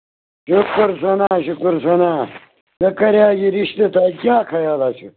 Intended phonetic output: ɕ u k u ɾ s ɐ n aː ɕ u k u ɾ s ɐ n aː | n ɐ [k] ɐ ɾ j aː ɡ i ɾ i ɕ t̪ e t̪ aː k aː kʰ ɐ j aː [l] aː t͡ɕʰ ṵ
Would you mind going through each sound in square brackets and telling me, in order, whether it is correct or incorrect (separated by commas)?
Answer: correct, correct